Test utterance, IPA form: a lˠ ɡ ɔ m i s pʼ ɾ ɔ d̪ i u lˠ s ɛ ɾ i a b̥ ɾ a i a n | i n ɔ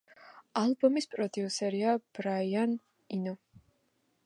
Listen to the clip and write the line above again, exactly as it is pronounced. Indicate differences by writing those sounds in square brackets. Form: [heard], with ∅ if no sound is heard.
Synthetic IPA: a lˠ [b] ɔ m i s pʼ ɾ ɔ d̪ i u [∅] s ɛ ɾ i a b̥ ɾ a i a n | i n ɔ